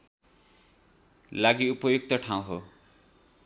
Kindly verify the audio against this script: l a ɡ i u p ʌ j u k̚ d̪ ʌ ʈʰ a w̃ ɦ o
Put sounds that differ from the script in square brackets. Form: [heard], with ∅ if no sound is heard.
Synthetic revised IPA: l a ɡ i u p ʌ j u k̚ [t̪] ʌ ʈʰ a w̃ ɦ o